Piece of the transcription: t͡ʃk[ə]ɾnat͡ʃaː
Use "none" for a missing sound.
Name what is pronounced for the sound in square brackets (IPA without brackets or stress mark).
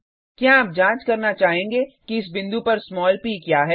ɐ